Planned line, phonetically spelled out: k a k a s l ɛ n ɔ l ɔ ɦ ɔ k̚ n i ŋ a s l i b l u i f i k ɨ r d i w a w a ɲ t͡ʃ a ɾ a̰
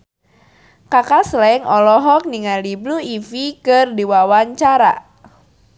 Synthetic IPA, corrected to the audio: k a k a s l ɛ ŋ ɔ l ɔ ɦ ɔ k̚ n i ŋ a l i b l u i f i k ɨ r d i w a w a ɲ t͡ʃ a ɾ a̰